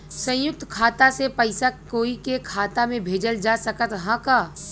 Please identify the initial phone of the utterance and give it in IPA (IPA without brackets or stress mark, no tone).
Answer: s